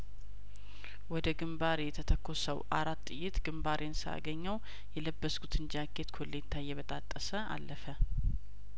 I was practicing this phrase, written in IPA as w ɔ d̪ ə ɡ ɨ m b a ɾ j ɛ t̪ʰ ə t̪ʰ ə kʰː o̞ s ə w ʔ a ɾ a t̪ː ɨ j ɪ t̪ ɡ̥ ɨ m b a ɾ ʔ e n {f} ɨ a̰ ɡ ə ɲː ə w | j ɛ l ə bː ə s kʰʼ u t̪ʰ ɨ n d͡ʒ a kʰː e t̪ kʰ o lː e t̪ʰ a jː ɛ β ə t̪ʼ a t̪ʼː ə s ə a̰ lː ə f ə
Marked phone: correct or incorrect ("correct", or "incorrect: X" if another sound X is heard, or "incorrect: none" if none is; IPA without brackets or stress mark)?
incorrect: s